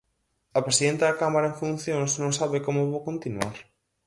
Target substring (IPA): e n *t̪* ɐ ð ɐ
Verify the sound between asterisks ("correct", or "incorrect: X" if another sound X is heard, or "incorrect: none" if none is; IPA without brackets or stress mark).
correct